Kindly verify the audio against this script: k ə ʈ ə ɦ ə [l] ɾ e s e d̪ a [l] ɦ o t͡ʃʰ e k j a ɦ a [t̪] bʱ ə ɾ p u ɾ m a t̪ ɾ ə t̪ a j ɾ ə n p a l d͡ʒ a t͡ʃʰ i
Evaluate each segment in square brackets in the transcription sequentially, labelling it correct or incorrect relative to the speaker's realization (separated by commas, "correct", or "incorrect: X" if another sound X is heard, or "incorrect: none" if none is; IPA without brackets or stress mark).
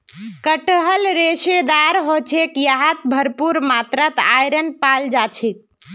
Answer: correct, incorrect: ɾ, correct